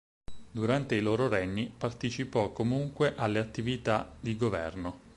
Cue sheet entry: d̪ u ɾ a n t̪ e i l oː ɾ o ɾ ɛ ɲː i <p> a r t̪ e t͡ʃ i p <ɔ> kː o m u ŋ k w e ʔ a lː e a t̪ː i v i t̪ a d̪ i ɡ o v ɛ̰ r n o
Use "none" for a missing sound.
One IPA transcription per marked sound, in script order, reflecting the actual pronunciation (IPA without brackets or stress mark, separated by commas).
p, ɔ